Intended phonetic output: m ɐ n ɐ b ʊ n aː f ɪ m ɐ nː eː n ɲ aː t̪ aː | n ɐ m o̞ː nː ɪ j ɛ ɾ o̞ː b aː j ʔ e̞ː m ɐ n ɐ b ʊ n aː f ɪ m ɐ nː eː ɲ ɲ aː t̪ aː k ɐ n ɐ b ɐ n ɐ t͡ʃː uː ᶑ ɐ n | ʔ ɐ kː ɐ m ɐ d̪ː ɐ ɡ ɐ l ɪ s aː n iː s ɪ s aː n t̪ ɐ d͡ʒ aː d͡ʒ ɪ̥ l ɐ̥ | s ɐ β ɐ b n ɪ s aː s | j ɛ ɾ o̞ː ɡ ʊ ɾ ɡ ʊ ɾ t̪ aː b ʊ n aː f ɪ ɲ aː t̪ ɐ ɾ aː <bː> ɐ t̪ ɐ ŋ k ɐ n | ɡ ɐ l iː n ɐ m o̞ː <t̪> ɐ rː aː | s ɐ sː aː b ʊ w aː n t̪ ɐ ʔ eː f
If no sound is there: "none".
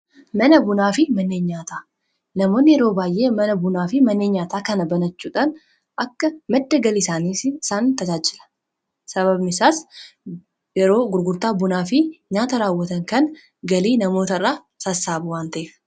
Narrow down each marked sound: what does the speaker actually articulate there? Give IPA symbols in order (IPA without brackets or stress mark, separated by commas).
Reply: wː, t̪